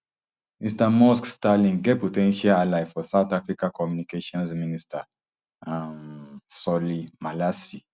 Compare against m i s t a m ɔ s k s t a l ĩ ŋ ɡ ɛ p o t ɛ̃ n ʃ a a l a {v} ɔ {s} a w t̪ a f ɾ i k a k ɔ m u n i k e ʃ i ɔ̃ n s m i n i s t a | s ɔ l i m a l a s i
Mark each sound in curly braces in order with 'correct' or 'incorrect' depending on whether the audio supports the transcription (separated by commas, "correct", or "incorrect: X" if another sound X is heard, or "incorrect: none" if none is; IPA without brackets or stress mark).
incorrect: f, correct